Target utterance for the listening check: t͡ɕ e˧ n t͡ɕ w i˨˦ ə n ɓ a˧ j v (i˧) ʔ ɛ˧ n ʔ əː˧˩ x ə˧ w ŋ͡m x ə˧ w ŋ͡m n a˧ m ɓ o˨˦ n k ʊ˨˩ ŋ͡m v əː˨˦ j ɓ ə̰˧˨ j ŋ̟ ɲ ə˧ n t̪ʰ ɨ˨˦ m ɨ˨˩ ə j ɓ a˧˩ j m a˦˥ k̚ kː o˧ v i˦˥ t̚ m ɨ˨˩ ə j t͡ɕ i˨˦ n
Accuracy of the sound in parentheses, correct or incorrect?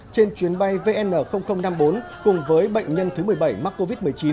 incorrect